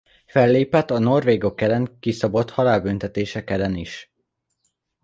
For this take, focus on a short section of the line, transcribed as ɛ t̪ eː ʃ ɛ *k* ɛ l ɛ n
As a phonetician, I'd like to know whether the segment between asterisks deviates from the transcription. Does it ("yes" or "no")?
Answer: no